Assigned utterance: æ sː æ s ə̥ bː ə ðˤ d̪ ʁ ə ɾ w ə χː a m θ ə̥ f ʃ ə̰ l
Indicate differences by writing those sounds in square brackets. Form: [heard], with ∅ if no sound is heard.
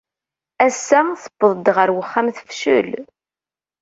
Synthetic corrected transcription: æ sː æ [θ] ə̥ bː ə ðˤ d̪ ʁ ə ɾ w ə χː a m θ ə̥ f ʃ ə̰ l